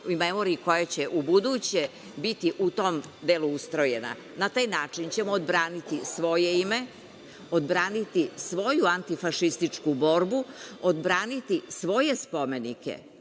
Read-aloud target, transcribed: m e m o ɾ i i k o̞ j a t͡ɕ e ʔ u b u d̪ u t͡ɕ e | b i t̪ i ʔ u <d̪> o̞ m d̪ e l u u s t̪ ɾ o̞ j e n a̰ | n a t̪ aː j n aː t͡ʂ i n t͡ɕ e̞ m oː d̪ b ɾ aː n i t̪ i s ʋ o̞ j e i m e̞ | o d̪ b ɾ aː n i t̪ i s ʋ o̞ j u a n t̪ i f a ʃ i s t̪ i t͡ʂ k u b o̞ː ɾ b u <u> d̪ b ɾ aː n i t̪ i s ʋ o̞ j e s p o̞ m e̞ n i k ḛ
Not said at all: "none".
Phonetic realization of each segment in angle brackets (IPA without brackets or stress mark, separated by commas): t̪, o